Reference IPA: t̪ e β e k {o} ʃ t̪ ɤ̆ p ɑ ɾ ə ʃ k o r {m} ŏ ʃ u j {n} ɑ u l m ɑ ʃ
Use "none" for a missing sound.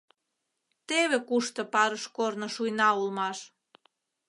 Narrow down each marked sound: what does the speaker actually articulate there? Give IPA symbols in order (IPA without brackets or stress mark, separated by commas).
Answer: u, n, n